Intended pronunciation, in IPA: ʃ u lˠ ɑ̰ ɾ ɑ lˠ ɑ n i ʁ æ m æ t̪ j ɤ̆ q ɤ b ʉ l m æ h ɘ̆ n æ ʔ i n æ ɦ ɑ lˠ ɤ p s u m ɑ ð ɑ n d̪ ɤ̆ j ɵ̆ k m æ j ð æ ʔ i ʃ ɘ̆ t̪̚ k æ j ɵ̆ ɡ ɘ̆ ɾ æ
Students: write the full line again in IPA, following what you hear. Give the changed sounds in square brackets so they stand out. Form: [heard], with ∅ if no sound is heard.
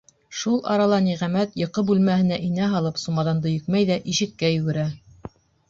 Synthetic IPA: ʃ u lˠ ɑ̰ ɾ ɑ lˠ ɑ n i ʁ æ m æ t̪ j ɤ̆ q ɤ b ʉ l m æ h ɘ̆ n æ ʔ i n æ ɦ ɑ lˠ ɤ p s u m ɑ ð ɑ n d̪ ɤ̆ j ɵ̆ k m æ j ð æ ʔ i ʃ ɘ̆ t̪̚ k æ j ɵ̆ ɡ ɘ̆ ɾ æ